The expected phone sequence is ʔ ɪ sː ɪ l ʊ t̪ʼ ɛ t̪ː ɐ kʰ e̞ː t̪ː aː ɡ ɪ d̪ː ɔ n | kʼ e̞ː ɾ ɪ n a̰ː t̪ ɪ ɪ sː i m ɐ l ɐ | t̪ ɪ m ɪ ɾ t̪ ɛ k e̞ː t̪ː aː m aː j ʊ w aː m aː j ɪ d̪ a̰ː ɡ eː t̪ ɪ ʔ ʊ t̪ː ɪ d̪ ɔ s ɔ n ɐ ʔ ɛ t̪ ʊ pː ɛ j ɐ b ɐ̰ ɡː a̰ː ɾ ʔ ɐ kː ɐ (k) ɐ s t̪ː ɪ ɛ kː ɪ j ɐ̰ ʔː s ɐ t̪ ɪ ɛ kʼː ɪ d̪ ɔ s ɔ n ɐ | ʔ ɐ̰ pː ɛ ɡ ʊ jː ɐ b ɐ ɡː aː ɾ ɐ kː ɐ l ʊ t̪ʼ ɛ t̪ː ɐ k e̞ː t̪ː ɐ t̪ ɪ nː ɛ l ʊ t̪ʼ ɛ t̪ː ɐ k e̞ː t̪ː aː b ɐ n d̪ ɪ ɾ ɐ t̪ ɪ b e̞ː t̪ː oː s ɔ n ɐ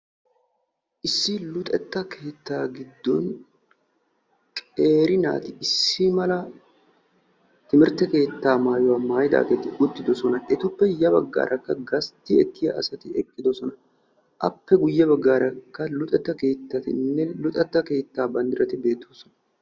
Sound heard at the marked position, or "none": ɡ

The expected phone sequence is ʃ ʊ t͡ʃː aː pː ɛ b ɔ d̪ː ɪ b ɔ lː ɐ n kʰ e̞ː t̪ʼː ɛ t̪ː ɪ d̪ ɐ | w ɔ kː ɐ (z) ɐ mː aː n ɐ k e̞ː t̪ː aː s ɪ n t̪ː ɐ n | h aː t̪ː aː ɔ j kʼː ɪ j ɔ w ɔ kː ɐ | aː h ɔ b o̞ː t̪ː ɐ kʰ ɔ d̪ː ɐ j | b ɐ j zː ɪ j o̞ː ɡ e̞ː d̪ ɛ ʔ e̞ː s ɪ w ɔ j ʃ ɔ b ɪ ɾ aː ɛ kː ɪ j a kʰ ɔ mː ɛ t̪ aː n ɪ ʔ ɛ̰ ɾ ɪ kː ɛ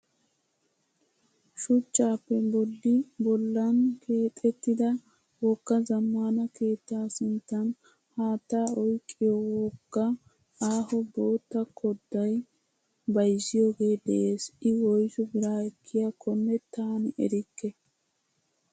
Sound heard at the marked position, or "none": z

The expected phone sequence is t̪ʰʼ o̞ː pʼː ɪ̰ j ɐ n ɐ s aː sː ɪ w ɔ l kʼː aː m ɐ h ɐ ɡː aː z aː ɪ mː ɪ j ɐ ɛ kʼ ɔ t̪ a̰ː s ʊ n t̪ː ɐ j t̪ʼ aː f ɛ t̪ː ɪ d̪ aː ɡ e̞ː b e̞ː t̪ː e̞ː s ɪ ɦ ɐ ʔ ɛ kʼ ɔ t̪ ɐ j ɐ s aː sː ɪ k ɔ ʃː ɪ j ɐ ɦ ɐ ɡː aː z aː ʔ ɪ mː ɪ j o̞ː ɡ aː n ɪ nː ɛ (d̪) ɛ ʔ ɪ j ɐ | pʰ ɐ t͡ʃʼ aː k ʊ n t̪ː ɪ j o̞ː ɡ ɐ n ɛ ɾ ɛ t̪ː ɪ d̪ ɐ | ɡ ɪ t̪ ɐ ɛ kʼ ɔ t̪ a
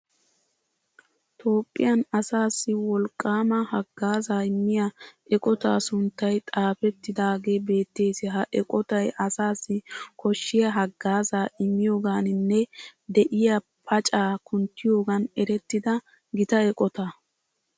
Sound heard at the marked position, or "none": d̪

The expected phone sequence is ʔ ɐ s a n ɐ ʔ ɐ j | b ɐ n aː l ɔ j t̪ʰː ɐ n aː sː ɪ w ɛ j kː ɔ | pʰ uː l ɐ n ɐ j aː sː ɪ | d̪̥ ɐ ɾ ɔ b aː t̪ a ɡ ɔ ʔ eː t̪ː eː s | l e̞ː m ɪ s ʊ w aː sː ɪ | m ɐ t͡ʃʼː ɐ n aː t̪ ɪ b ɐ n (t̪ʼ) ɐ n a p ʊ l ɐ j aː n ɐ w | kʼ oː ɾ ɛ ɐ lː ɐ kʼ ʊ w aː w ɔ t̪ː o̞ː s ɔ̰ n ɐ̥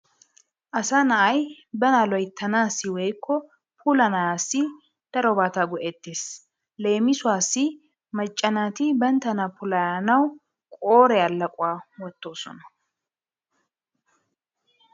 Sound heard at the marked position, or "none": t̪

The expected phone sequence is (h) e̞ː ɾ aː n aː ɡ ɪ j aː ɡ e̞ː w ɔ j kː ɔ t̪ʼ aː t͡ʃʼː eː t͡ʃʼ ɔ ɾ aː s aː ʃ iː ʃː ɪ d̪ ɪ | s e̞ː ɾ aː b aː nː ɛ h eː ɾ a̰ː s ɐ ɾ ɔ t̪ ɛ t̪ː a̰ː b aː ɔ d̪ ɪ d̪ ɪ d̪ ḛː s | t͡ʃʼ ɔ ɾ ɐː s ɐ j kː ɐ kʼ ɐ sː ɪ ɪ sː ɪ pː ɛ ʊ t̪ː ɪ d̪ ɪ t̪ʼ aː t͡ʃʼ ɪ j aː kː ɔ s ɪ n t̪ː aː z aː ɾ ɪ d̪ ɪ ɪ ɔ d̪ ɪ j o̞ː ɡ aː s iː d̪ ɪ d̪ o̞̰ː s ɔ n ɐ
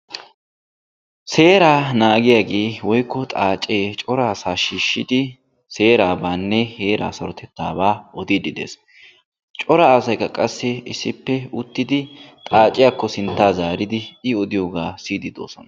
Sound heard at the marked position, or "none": s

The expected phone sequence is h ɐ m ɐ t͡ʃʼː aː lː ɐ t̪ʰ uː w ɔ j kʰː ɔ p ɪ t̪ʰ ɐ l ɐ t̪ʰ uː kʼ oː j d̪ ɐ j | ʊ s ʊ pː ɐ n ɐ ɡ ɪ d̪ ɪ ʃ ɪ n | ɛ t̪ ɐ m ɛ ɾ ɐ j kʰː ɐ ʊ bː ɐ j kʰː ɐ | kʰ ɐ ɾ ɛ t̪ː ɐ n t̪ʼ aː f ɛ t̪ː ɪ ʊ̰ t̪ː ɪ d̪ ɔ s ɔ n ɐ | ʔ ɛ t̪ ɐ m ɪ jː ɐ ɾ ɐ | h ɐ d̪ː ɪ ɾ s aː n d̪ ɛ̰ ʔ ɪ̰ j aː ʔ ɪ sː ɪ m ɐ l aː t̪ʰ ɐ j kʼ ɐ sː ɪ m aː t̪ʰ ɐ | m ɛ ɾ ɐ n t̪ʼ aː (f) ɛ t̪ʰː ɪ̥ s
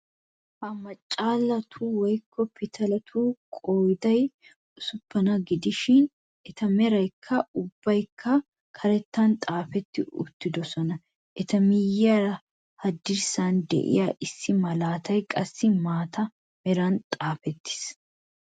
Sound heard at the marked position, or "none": f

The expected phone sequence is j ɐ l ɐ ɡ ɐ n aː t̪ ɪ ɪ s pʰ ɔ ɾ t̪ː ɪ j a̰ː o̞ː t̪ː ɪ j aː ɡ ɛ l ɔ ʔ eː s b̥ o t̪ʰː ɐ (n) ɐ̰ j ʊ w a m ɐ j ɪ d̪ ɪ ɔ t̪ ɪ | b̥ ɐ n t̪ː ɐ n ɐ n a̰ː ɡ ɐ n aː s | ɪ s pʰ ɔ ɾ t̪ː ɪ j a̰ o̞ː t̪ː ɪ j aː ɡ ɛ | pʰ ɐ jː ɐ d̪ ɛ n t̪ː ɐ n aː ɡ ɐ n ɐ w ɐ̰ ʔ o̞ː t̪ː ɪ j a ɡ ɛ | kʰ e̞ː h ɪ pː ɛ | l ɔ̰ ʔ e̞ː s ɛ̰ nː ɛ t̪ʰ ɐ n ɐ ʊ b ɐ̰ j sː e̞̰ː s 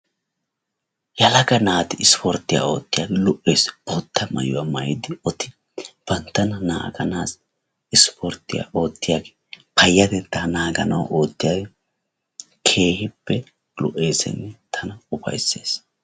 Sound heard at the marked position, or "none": m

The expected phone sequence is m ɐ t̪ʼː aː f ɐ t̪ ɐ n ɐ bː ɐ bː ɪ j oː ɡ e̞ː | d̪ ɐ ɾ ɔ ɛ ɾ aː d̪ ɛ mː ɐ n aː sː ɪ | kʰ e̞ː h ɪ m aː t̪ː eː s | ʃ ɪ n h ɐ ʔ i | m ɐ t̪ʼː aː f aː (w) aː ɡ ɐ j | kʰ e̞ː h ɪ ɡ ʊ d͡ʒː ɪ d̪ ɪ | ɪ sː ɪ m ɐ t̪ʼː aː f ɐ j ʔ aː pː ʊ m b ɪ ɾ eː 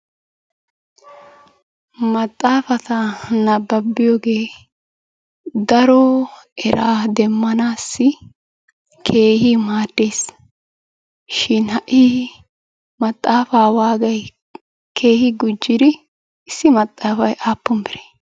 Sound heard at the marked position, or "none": w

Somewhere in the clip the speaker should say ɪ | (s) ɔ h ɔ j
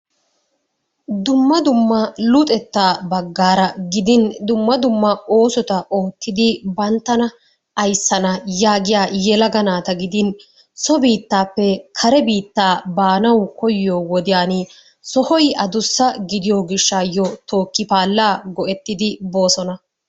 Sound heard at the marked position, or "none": s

